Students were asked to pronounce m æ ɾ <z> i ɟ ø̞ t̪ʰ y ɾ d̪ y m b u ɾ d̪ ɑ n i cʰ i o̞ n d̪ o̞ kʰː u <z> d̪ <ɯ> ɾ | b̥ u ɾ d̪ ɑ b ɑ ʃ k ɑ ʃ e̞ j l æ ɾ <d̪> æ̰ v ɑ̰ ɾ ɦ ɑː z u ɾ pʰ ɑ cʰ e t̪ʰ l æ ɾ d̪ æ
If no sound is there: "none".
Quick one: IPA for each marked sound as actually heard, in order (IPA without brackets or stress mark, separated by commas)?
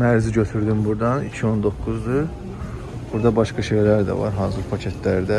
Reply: z, z, ɯ, d̪